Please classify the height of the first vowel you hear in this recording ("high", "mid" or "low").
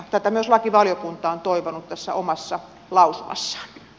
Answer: low